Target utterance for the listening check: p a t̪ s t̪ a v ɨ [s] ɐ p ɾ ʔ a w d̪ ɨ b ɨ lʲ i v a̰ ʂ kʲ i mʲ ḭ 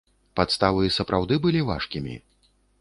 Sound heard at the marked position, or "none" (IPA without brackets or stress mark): s